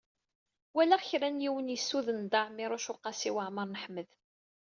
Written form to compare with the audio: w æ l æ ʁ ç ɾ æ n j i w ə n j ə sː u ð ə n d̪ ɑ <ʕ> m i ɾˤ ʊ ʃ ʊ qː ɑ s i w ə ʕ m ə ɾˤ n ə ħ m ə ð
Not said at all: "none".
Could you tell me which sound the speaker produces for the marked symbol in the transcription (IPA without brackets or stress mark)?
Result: ʕ